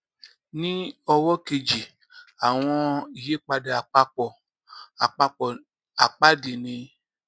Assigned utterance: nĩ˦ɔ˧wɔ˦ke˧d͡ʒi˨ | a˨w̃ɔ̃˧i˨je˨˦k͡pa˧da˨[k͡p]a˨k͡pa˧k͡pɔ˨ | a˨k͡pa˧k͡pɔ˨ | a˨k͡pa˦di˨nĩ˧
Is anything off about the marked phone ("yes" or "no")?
yes